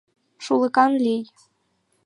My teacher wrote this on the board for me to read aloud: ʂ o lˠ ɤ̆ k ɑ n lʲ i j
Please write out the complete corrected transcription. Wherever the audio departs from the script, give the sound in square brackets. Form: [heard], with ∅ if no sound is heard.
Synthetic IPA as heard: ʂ [u] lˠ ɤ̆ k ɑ n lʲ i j